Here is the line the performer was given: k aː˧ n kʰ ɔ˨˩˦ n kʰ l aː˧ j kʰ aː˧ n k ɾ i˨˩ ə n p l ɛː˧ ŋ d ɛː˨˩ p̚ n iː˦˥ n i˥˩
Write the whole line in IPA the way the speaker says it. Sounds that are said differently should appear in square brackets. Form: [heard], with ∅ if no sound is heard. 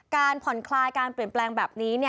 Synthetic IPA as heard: k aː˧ n [pʰ] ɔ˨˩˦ n kʰ l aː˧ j [k] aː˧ n [p] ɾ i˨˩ ə n p l ɛː˧ ŋ [b] ɛː˨˩ p̚ n iː˦˥ n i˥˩